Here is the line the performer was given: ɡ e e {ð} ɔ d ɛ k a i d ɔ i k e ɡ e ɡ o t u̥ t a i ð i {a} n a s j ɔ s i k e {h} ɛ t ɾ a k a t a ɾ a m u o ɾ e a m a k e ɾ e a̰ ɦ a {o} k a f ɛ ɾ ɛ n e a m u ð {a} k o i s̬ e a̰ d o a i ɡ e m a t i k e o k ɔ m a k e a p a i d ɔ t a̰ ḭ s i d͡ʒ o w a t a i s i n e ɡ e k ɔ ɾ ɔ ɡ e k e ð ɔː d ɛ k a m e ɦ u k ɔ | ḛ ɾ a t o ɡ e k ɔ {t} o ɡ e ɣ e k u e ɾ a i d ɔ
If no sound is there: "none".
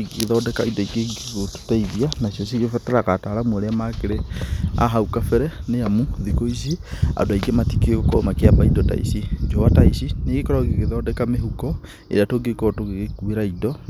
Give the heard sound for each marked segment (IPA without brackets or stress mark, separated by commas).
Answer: ð, a, f, u, i, t